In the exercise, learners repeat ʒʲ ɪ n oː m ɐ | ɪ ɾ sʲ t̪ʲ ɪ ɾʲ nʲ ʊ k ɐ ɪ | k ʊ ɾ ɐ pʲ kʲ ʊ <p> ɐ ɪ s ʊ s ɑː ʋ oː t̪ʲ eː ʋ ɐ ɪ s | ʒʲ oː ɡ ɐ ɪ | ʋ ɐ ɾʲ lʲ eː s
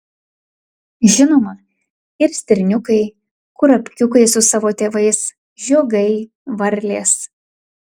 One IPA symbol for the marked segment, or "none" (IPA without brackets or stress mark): k